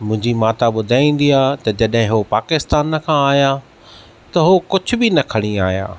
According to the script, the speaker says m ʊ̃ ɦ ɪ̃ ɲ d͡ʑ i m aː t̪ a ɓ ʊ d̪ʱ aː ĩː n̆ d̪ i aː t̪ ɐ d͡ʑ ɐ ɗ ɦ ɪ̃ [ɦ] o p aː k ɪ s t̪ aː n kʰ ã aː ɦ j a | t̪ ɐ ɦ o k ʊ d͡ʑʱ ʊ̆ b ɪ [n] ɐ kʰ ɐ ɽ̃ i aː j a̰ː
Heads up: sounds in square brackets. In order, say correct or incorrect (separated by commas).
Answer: correct, correct